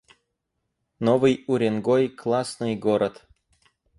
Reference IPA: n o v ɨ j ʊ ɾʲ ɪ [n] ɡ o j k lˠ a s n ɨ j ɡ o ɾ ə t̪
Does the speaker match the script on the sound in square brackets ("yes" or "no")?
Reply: yes